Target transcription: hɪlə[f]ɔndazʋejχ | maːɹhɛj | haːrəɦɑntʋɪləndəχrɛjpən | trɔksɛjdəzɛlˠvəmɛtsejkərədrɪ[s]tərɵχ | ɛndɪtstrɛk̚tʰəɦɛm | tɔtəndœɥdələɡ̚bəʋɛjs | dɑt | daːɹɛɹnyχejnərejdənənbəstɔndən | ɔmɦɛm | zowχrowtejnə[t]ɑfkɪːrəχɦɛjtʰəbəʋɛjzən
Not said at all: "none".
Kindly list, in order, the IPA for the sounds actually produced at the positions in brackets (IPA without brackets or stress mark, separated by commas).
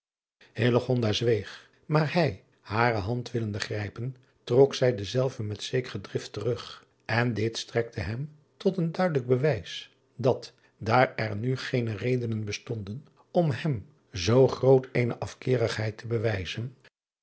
χ, f, ʔ